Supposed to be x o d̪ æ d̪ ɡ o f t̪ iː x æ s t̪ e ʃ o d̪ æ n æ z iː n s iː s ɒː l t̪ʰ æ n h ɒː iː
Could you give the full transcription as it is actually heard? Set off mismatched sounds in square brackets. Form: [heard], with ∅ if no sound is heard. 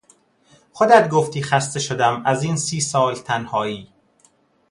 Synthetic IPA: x o d̪ æ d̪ ɡ o f t̪ iː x æ s t̪ e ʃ o d̪ æ [m] æ z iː n s iː s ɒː l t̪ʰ æ n h ɒː iː